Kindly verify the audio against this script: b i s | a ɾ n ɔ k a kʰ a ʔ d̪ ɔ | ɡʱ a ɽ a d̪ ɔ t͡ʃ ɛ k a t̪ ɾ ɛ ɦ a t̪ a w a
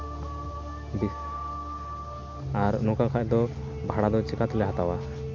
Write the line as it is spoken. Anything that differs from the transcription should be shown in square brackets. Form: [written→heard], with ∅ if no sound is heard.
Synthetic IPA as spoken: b i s | a ɾ n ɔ k a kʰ a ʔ d̪ ɔ | [ɡʱ→bʱ] a ɽ a d̪ ɔ t͡ʃ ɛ k a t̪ [ɾ→l] ɛ ɦ a t̪ a w a